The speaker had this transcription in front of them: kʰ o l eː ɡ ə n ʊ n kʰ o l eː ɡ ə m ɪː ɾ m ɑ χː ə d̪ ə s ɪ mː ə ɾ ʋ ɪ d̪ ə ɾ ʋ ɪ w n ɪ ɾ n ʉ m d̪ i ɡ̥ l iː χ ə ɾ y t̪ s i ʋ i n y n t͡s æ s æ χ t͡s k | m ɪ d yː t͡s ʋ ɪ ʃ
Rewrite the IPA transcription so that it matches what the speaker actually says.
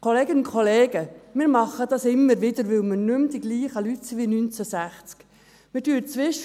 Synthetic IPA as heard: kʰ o l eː ɡ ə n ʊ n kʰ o l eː ɡ ə m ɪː ɾ m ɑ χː ə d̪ ɑ s ɪ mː ə ɾ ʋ ɪ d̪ ə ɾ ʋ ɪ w m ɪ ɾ n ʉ m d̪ i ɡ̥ l iː χ ə l y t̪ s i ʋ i n y n t͡s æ s æ χ t͡s k | m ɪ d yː t͡s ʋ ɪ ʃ

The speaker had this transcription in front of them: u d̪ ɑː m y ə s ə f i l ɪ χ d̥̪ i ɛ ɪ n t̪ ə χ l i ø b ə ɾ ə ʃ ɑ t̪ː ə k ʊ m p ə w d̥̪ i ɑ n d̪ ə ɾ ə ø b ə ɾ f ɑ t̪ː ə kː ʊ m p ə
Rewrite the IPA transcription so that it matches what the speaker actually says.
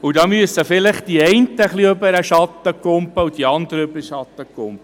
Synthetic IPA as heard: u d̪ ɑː m y ə s ə f ɪ l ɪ χ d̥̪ i ɛ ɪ n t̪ ə χ l i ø b ə ɾ ə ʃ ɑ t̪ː ə k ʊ m p ə u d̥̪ i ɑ n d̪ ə ɾ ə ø b ə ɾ ʃ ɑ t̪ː ə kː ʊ m p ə

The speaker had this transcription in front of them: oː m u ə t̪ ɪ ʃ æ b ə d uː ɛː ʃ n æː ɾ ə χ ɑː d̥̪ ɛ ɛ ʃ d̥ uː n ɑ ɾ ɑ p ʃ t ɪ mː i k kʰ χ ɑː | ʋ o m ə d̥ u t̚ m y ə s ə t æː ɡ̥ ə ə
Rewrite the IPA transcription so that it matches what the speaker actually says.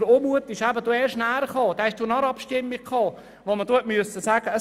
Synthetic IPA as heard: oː m u ə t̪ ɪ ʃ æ b ə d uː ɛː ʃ n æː ɾ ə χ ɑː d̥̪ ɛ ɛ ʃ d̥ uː n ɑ ɾ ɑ p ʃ t ɪ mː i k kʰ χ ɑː | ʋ o m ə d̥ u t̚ m y ə s ə s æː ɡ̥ ə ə

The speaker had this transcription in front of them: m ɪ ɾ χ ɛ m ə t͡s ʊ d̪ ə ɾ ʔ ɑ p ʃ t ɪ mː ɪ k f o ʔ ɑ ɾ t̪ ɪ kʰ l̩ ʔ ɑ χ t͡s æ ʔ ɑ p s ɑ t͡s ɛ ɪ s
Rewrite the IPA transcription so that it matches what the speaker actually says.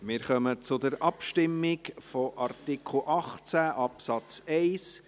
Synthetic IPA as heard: m ɪ ɾ χ œ m ə t͡s ʊ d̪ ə ɾ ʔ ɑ p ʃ t ɪ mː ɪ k f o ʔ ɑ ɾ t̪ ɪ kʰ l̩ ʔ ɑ χ t͡s æ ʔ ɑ p s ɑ t͡s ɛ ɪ s

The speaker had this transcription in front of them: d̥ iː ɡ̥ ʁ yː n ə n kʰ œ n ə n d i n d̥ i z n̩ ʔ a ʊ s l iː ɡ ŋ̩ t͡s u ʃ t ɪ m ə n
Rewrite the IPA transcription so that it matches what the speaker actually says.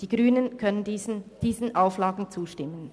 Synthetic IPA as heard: d̥ iː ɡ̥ ʁ yː n ə n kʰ œ n ə n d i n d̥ iː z n̩ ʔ a ʊ f l aː ɡ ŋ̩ t͡s uː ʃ t ɪ m ə n

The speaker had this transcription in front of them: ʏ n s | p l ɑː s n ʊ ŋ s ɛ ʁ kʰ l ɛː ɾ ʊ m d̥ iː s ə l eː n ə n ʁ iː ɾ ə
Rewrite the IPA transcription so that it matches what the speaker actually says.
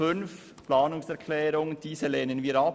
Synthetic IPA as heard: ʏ n f | p l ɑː n ʊ ŋ s ɛ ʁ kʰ l ɛː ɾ ʊ ŋ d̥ iː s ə l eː n ə n v iː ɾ ɑ

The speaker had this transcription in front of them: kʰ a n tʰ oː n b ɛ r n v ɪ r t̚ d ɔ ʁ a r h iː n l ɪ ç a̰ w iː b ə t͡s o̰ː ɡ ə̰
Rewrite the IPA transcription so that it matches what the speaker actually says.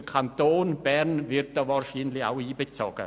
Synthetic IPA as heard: kʰ a n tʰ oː n b ɛ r n v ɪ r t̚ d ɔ v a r ʃ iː n l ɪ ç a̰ w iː b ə t͡s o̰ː ɡ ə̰

